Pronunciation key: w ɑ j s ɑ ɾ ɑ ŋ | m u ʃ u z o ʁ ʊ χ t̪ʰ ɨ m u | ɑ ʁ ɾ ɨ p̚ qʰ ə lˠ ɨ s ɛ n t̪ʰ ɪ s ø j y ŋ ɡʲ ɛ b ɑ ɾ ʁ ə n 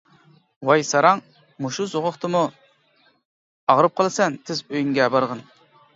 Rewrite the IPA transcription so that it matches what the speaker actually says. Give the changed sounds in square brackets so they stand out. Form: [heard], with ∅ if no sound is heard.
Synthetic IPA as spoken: w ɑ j s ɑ ɾ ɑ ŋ | m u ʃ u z o ʁ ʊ χ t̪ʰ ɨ m u | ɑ ʁ ɾ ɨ p̚ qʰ ə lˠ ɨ s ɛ n t̪ʰ ɪ [z] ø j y ŋ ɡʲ ɛ b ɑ ɾ ʁ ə n